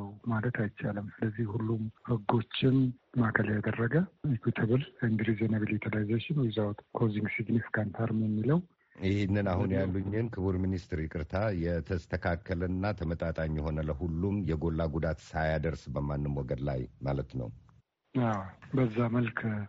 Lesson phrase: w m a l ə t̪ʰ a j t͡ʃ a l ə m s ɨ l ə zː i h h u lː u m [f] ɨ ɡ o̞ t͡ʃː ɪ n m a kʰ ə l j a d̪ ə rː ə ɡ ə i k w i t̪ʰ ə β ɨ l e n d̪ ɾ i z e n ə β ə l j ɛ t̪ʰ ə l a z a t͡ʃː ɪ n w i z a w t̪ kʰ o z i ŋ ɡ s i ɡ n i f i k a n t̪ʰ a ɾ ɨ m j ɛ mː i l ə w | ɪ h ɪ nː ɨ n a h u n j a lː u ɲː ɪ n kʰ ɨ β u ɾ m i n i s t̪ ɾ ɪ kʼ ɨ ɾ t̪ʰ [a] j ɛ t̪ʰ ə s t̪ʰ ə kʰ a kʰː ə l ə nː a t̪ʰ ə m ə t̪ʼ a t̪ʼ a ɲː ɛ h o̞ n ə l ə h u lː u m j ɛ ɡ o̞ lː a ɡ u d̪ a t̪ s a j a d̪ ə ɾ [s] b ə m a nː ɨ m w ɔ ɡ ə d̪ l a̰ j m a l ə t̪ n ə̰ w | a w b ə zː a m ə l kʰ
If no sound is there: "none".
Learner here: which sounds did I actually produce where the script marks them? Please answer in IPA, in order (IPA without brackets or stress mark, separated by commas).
h, a, s